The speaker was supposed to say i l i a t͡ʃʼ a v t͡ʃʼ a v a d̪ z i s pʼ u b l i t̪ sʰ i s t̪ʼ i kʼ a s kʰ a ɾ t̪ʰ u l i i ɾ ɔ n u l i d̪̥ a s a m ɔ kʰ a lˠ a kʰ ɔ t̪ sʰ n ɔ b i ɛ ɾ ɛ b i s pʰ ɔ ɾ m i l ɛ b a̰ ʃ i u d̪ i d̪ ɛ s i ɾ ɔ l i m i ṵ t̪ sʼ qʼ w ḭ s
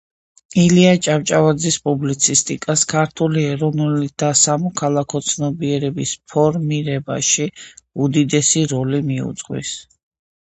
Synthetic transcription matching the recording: i l i a t͡ʃʼ a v t͡ʃʼ a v a d̪ z i s pʼ u b l i t̪ sʰ i s t̪ʼ i kʼ a s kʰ a ɾ t̪ʰ u l i ɛ ɾ ɔ n u l i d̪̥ a s a m ɔ kʰ a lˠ a kʰ ɔ t̪ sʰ n ɔ b i ɛ ɾ ɛ b i s pʰ ɔ ɾ m i ɾ ɛ b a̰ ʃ i u d̪ i d̪ ɛ s i ɾ ɔ l i m i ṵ t̪ sʼ qʼ w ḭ s